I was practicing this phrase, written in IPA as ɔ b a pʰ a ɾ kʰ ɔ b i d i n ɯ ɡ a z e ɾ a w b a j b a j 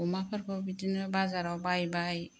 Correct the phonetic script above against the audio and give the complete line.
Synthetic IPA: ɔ m a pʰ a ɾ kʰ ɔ b i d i n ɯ b a z a ɾ a w b a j b a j